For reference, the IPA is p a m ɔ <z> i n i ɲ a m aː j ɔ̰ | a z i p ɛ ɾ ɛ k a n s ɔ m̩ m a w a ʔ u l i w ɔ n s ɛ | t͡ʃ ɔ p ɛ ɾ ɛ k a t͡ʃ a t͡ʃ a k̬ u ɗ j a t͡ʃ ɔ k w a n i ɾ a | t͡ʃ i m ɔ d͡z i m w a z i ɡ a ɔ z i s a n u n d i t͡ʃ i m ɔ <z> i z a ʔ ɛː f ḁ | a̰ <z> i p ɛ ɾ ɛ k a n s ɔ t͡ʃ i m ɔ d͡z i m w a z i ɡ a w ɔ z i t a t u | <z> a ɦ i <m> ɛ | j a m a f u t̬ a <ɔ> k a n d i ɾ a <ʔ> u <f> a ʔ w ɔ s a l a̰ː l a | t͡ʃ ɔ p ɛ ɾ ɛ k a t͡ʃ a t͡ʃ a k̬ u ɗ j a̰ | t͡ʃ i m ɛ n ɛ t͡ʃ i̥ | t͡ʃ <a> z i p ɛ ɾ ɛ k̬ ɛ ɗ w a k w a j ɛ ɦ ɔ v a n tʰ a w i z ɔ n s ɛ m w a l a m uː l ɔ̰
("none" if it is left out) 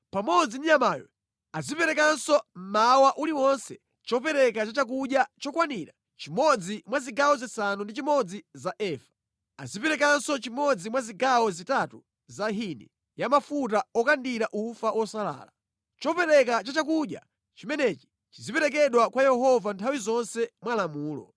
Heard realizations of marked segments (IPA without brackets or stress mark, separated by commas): d͡z, d͡z, z, z, n, ɔ, ʔ, f, i